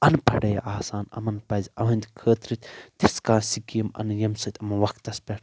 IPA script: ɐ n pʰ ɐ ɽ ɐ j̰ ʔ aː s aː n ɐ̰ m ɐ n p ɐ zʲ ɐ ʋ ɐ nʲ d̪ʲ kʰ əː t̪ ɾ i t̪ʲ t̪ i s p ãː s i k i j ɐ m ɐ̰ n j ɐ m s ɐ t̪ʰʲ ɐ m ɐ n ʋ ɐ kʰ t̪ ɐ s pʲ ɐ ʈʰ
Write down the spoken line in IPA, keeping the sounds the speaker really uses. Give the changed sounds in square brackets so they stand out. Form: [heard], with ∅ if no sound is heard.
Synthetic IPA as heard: ɐ n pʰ ɐ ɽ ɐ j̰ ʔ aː s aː n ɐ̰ m ɐ n p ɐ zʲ ɐ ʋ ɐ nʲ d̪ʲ kʰ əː t̪ ɾ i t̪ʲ t̪ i s [k] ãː s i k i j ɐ m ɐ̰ n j ɐ m s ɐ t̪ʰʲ ɐ m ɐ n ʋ ɐ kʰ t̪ ɐ s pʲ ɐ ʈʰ

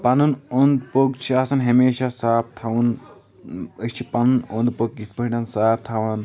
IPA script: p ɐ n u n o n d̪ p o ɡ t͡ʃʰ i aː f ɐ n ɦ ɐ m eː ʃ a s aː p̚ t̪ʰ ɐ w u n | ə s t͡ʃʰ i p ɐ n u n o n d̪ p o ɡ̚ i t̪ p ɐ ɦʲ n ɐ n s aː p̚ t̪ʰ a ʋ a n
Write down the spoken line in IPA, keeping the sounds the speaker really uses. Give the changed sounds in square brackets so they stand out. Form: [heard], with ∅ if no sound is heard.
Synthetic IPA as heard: p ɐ n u n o n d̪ p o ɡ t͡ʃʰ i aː [s] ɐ n ɦ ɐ m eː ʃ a s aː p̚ t̪ʰ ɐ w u n | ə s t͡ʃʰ i p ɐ n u n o n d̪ p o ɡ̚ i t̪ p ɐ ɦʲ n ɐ n s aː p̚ t̪ʰ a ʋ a n

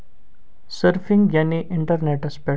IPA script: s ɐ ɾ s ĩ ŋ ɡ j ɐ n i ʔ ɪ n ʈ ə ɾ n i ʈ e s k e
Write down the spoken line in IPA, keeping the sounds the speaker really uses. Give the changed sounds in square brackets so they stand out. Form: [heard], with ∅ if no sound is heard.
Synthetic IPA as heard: s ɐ ɾ [f] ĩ ŋ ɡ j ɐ n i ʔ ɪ [ɳ] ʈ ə ɾ n [e] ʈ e s [p] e

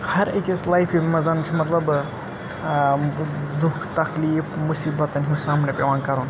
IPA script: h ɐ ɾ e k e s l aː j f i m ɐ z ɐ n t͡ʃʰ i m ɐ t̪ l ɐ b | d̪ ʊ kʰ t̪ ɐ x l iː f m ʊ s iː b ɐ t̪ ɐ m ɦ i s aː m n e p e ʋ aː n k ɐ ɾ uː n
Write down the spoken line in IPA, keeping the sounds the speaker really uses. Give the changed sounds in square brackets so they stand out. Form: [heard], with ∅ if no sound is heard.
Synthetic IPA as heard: h ɐ ɾ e k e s l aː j f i m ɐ z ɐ n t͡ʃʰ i m ɐ t̪ l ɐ b | d̪ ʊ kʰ t̪ ɐ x l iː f m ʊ s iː b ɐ t̪ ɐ [n] ɦ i s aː m n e p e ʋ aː n k ɐ ɾ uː n

